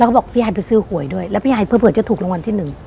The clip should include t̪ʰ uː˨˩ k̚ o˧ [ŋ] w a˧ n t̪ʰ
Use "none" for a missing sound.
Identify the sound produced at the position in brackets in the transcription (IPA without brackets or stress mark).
ŋ